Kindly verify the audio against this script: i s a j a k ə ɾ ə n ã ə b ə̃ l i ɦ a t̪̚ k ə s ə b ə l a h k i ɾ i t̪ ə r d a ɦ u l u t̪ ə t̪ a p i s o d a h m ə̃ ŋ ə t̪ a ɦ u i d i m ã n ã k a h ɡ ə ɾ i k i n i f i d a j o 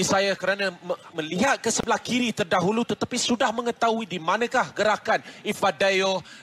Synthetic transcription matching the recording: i s a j a k ə ɾ a n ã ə m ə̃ l i ɦ a t̪̚ k ə s ə b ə l a h k i ɾ i t̪ ə r d a ɦ u l u t̪ ə t̪ a p i s u d a h m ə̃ ŋ ə t̪ a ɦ u i d i m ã n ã k a h ɡ ə ɾ a k a n i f a d a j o